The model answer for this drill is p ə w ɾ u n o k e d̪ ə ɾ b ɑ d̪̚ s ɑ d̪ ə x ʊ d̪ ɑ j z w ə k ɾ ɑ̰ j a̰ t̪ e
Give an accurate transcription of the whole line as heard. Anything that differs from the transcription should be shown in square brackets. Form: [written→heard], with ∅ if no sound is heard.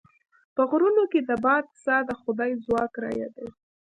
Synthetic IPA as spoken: p ə [w→ɣ] ɾ u n o k e d̪ ə [ɾ→∅] b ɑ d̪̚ s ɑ d̪ ə x ʊ d̪ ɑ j z w [ə→ɑ] k ɾ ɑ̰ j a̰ [t̪→d̪] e